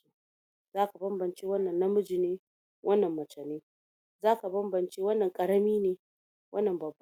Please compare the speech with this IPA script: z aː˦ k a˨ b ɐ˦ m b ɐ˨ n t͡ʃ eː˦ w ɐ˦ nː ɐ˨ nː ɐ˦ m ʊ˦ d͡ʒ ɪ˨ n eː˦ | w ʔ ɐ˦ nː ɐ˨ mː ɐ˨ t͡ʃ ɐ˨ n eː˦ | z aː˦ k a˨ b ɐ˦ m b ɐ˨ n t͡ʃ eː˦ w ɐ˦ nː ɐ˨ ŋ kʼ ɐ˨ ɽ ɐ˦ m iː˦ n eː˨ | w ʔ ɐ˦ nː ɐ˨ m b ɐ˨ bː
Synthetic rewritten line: z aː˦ k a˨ b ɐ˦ m b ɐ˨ n t͡ʃ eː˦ w ɐ˦ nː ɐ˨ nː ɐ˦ m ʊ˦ d͡ʒ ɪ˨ n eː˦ | w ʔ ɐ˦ nː ɐ˨ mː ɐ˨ t͡ʃ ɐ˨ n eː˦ | z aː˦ k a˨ b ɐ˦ m b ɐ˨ n t͡ʃ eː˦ w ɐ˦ nː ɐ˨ ŋ kʼ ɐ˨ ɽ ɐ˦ m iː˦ n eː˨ | w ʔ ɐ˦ nː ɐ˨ m b ɐ˨ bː